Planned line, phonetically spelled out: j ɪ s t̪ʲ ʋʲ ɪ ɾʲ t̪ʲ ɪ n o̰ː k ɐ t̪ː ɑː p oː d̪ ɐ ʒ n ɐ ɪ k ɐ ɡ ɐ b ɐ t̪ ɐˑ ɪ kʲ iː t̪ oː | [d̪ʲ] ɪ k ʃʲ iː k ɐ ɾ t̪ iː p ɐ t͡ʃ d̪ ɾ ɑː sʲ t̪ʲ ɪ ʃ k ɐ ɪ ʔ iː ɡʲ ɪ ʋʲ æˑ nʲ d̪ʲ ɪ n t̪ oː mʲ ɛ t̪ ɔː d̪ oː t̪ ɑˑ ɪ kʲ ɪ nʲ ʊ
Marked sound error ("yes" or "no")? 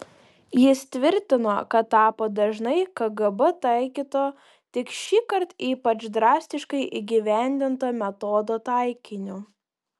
yes